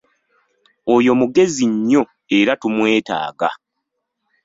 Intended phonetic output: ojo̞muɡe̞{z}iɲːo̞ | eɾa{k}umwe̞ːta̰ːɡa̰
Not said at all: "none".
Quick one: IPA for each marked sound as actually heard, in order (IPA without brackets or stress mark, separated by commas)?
z, t